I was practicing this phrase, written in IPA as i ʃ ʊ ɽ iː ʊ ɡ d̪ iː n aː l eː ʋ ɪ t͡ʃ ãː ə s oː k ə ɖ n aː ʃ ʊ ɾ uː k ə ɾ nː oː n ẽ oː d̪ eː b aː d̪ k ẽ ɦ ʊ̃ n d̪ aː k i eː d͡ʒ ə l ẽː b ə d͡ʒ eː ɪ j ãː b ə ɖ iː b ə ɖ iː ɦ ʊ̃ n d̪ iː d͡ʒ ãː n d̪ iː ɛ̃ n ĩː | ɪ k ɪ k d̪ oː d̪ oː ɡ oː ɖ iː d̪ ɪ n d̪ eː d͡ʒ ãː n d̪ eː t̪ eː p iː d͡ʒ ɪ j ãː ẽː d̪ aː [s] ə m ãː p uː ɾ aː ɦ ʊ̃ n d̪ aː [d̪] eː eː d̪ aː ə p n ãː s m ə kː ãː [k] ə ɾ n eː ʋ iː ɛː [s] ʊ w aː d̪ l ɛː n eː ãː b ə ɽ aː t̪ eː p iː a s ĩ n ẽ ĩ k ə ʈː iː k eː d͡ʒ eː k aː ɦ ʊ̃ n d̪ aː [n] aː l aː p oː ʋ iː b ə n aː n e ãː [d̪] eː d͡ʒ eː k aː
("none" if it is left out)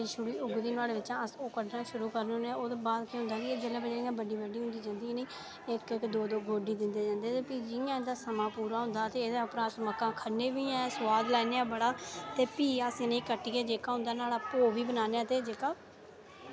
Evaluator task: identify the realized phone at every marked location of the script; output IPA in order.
s, t̪, kʰ, s, n, t̪

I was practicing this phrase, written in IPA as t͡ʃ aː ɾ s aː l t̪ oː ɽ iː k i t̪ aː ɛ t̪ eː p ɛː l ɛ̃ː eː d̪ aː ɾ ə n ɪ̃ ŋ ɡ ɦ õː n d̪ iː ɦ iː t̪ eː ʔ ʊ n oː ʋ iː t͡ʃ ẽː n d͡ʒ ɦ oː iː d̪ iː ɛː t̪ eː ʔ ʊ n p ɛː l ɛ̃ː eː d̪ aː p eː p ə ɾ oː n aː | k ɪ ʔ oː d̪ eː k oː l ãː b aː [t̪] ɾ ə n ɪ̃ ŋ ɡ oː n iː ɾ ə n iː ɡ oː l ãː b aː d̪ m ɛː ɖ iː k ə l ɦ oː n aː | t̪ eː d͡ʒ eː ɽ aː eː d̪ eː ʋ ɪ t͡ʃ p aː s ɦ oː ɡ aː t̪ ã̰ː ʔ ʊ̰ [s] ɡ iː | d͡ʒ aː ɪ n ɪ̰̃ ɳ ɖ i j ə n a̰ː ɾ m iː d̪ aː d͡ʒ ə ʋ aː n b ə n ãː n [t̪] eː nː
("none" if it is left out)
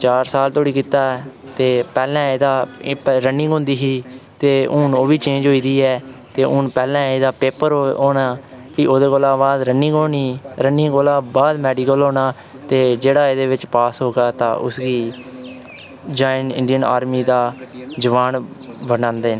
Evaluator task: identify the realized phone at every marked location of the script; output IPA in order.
d̪, s, d̪

